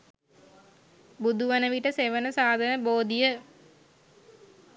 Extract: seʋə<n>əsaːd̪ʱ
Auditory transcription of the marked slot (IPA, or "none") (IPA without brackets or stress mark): n